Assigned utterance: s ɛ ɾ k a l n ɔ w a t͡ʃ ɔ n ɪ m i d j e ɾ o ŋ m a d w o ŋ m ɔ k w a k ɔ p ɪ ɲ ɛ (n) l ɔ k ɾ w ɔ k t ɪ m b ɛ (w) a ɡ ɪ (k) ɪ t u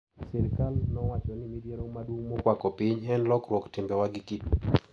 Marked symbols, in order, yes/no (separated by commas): yes, yes, yes